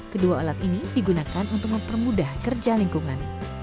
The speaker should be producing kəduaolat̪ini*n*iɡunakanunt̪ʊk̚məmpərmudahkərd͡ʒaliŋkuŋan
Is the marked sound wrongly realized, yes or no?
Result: yes